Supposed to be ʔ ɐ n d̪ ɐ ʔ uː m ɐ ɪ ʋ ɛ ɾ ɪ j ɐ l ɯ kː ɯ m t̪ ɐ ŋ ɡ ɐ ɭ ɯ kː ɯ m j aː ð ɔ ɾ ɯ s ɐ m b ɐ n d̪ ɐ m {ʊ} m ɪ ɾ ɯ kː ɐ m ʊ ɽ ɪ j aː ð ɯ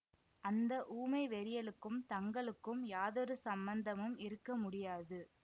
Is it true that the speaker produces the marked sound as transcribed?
no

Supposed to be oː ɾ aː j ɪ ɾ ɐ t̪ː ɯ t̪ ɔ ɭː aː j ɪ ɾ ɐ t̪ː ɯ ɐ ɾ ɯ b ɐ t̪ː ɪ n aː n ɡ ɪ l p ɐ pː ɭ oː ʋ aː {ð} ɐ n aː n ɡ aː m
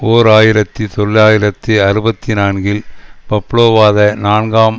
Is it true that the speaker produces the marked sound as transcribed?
yes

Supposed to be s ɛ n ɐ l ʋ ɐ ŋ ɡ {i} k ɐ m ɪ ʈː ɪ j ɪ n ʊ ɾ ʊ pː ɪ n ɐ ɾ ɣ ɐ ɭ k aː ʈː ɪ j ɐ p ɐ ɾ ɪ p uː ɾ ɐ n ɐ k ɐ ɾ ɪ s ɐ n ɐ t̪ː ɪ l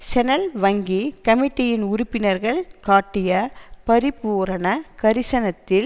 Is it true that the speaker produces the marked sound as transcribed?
yes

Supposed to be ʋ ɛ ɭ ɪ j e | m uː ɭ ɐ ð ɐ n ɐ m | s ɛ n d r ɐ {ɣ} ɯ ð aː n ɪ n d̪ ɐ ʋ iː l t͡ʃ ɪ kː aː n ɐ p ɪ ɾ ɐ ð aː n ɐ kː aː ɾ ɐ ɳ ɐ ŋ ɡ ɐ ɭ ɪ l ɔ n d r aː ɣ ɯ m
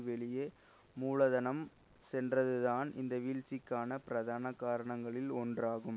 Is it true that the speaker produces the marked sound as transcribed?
no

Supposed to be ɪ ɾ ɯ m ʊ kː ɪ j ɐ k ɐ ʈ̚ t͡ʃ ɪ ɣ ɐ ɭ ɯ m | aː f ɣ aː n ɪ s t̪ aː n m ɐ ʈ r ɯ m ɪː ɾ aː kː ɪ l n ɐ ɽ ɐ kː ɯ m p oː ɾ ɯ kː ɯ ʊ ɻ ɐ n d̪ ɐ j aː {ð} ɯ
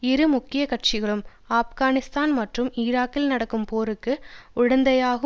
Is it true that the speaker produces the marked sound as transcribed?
no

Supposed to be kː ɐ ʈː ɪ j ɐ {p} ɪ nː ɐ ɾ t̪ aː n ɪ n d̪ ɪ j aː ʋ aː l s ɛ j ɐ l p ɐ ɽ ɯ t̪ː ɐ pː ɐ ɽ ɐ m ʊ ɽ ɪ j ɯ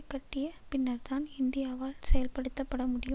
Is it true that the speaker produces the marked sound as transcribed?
yes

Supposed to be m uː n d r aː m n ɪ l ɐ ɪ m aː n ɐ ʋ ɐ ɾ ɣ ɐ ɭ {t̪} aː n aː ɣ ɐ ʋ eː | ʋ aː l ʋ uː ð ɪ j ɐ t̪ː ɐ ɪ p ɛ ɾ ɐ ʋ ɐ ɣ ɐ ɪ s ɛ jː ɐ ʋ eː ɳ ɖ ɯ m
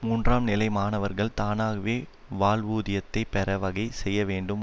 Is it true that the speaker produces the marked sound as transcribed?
yes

